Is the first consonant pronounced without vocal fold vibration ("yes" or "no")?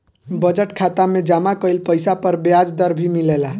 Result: no